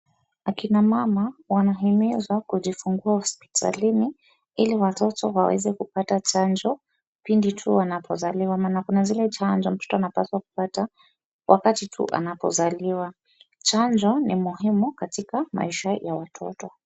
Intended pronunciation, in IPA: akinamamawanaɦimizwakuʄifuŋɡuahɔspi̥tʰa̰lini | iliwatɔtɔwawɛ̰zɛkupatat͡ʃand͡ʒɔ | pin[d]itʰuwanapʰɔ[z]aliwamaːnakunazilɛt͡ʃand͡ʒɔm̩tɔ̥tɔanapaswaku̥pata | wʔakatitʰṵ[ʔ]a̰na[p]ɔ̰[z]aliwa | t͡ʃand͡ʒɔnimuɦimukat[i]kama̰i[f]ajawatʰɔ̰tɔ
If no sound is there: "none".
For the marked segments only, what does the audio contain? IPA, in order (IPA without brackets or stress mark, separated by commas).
d, z, ʔ, p, z, i, ʃ